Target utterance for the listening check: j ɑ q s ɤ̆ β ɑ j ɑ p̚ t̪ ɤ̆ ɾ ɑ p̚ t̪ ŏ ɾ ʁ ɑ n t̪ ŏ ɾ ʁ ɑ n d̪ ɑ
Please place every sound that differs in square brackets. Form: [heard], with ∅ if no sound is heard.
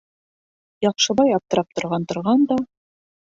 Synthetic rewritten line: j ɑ q [ʃ] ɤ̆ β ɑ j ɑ p̚ t̪ ɤ̆ ɾ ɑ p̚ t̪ ŏ ɾ ʁ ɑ n t̪ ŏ ɾ ʁ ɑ n d̪ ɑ